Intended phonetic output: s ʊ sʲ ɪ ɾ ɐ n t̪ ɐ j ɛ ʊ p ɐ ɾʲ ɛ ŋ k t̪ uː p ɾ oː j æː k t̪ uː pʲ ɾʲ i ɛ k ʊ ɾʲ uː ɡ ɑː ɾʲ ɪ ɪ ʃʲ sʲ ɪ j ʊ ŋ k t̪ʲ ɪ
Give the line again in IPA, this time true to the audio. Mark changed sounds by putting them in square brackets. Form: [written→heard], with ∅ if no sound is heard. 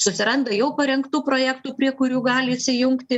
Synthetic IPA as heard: s ʊ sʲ ɪ ɾ ɐ n [t̪→d̪] ɐ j ɛ ʊ p ɐ ɾʲ ɛ ŋ k t̪ uː p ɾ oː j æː k t̪ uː pʲ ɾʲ i ɛ k ʊ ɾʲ uː ɡ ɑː [ɾʲ→lʲ] ɪ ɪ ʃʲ sʲ ɪ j ʊ ŋ k t̪ʲ ɪ